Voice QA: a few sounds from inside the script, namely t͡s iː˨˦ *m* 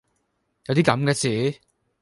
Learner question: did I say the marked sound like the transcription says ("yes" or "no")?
no